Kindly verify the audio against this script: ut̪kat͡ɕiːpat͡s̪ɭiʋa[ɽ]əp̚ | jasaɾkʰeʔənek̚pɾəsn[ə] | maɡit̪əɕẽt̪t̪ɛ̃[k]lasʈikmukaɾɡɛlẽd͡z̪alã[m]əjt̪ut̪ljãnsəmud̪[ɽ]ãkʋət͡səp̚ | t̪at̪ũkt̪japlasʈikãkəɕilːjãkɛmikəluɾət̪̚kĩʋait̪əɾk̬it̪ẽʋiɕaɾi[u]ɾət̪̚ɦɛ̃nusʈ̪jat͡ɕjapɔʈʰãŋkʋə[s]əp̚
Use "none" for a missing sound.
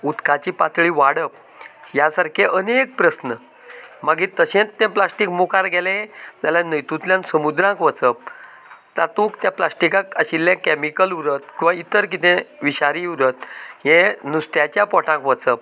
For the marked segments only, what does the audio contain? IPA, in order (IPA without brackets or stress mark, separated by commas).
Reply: ɽ, ə, p, n, ɾ, u, t͡s